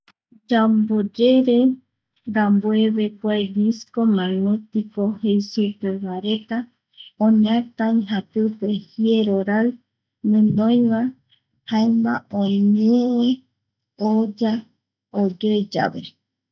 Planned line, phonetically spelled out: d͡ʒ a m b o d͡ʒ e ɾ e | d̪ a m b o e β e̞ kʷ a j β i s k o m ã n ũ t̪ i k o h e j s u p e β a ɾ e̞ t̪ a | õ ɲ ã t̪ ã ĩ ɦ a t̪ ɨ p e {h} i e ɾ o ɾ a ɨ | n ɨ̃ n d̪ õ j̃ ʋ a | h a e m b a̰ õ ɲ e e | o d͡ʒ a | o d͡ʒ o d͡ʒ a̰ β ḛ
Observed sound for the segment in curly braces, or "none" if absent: h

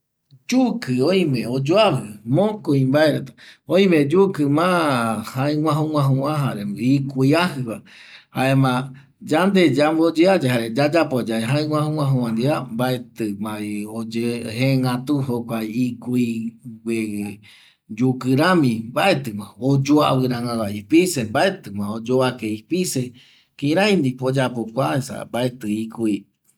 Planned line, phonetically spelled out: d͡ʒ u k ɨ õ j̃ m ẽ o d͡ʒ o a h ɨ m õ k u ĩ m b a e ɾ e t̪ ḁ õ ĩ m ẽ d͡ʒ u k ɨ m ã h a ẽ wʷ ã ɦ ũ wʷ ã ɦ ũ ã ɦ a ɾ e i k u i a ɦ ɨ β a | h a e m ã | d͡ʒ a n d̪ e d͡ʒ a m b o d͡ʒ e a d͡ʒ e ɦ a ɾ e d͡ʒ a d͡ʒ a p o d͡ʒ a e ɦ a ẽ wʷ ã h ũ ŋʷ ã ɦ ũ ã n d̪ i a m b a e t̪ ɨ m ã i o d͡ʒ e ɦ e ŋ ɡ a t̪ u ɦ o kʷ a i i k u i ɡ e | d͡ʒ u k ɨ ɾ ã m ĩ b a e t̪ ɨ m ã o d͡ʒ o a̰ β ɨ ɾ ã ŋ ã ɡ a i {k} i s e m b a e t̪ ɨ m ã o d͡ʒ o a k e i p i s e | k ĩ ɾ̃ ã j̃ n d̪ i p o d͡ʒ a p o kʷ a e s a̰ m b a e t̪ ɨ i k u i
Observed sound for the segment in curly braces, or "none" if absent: p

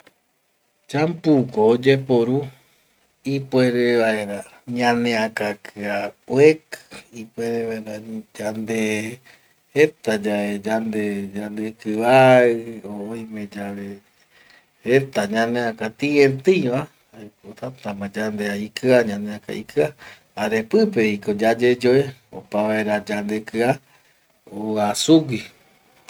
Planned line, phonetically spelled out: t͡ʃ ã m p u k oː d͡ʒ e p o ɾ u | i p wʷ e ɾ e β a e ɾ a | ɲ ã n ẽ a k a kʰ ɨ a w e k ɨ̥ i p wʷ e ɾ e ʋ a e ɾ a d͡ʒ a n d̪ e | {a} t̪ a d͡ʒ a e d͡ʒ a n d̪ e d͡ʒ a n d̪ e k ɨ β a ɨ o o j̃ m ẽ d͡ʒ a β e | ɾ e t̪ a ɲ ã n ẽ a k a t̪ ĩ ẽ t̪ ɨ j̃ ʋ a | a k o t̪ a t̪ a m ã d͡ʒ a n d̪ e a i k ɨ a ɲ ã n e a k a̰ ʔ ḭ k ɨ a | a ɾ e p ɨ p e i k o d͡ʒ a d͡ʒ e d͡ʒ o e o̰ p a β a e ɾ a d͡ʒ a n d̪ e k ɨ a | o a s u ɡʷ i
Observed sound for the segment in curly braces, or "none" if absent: e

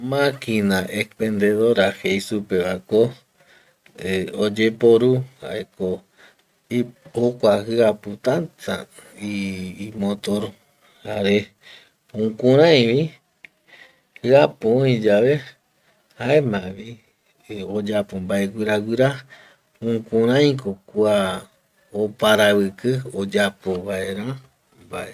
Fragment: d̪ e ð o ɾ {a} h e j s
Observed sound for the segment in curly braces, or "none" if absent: a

